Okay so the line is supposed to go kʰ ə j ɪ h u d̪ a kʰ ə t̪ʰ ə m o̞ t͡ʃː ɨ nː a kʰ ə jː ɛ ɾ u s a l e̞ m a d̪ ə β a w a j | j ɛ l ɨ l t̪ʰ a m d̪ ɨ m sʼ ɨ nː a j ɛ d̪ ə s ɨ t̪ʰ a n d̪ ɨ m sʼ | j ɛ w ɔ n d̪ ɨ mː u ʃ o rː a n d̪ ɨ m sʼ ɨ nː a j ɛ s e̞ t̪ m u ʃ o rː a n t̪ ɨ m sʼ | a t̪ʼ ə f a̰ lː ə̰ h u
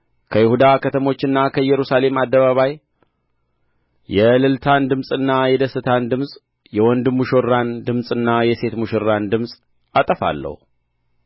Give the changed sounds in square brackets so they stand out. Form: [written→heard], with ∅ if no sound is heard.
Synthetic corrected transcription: kʰ ə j ɪ h u d̪ a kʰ ə t̪ʰ ə m o̞ t͡ʃː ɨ nː a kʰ ə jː ɛ ɾ u s a l e̞ m a [d̪→d̪ː] ə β a [w→β] a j | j ɛ l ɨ l t̪ʰ a [m→n] d̪ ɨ m sʼ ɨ nː a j ɛ d̪ ə s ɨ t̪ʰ a n d̪ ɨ m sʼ | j ɛ w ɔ n d̪ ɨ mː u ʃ o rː a n d̪ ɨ m sʼ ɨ nː a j ɛ s e̞ t̪ m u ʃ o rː a n [t̪→d̪] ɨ m sʼ | a t̪ʼ ə f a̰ lː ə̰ h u